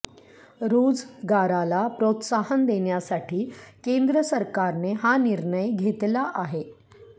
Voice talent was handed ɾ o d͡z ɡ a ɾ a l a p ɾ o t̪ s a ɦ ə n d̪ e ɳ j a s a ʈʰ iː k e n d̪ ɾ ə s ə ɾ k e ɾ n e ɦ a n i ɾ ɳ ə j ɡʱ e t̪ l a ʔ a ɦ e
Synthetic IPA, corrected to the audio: ɾ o d͡z ɡ a ɾ a l a p ɾ o t̪ s a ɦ ə n d̪ e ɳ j a s a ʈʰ iː k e n d̪ ɾ ə s ə ɾ k a ɾ n e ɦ a n i ɾ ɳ ə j ɡʱ e t̪ l a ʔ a ɦ e